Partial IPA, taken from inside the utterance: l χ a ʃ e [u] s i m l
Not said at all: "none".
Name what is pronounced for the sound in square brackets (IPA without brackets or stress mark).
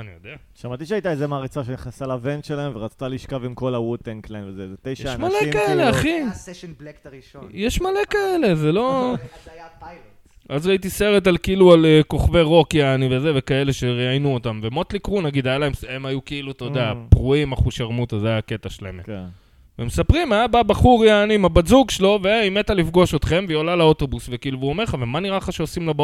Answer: o